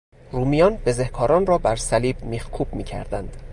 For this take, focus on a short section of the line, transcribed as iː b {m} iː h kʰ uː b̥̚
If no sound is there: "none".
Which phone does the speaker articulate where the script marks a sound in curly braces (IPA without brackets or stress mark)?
m